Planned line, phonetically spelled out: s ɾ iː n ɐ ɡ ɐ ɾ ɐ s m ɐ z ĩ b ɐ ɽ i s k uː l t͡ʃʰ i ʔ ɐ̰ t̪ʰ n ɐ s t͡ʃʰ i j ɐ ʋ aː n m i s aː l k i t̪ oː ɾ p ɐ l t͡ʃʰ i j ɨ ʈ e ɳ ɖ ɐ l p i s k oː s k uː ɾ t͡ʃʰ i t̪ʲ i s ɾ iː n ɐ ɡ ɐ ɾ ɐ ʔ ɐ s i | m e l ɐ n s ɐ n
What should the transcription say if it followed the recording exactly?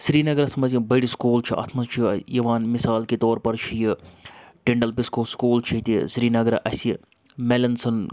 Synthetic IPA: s ɾ iː n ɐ ɡ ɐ ɾ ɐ s m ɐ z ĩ b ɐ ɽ i s k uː l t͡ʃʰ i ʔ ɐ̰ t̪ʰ m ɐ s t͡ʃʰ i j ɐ ʋ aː n m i s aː l k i t̪ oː ɾ p ɐ ɾ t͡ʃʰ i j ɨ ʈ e ɳ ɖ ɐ l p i s k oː s k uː l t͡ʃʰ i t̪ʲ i s ɾ iː n ɐ ɡ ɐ ɾ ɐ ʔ ɐ s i | m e l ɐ n s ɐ n

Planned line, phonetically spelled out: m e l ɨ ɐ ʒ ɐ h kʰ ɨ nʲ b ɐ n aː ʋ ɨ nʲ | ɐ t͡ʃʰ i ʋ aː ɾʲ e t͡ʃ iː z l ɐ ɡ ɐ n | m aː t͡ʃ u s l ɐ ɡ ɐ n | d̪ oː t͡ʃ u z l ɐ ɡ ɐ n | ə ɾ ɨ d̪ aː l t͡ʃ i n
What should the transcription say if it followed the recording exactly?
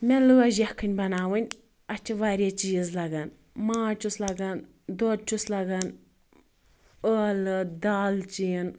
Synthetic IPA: m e l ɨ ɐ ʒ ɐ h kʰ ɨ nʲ b ɐ n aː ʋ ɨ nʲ | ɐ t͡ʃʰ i ʋ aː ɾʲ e t͡ʃ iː z l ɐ ɡ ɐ n | m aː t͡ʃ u s l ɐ ɡ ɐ n | d̪ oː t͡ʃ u s l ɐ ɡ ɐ n | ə l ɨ d̪ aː l t͡ʃ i n

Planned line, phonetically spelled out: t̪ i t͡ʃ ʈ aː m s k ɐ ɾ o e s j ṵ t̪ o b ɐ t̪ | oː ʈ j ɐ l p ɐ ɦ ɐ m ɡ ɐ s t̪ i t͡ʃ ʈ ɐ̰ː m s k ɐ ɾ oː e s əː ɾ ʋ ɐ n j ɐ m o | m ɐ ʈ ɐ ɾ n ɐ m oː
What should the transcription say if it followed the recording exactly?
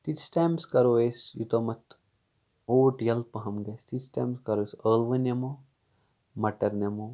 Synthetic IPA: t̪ i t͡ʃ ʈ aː m s k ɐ ɾ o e s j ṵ t̪ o m ɐ t̪ | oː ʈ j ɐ l p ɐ ɦ ɐ m ɡ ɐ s t̪ i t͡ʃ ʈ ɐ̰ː m s k ɐ ɾ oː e s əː l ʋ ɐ n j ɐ m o | m ɐ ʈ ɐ ɾ n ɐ m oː

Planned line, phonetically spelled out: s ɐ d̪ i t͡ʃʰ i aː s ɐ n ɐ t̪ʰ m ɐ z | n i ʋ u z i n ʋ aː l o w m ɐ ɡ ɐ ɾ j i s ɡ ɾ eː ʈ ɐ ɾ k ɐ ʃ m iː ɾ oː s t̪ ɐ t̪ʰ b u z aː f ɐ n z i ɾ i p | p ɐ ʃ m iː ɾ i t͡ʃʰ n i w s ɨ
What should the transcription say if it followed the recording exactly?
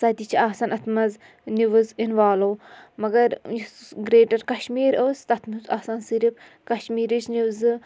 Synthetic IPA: s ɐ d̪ i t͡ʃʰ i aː s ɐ n ɐ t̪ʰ m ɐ z | n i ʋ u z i n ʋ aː l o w m ɐ ɡ ɐ ɾ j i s ɡ ɾ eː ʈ ɐ ɾ k ɐ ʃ m iː ɾ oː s t̪ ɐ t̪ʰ m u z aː s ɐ n s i ɾ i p | k ɐ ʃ m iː ɾ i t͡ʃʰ n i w z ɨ

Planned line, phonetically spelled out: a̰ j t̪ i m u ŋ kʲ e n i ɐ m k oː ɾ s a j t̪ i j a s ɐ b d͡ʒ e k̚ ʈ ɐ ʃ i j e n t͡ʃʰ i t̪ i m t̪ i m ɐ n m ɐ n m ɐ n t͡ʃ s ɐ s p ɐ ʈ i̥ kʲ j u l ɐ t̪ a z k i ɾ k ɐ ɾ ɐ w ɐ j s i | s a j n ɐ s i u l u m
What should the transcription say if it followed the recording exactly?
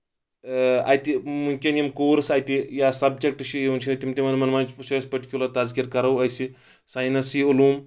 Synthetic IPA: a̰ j t̪ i m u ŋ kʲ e n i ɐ m k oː ɾ s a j t̪ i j a s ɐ b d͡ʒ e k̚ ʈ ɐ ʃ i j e n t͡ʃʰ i t̪ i m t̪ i m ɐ n m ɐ n m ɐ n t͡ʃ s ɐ s p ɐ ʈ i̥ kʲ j u l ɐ t̪ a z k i ɾ k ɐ ɾ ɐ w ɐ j s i | s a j n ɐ s i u l u m

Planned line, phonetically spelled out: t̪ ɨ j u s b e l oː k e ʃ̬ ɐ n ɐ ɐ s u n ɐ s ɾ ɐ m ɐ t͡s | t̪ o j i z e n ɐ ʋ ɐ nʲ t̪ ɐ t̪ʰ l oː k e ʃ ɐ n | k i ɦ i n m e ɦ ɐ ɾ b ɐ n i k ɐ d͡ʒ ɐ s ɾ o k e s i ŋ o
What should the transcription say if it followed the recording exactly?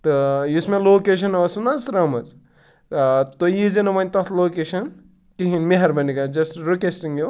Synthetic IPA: t̪ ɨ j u s m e l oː k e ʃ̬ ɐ n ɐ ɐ s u n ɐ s ɾ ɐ m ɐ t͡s | t̪ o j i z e n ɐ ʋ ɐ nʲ t̪ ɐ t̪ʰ l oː k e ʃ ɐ n | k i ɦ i n m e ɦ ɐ ɾ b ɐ n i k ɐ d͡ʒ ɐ s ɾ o k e s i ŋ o

